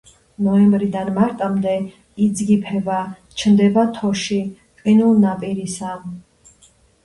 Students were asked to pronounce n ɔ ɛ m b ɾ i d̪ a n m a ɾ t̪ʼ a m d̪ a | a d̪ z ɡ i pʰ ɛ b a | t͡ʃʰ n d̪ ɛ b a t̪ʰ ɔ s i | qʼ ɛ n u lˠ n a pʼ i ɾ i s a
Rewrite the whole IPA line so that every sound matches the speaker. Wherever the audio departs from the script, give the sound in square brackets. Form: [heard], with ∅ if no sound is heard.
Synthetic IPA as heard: n ɔ ɛ m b ɾ i d̪ a n m a ɾ t̪ʼ a m d̪ [ɛ] | [i] d̪ z ɡ i pʰ ɛ b a | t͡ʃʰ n d̪ ɛ b a t̪ʰ ɔ [ʃ] i | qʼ [i] n u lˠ n a pʼ i ɾ i s a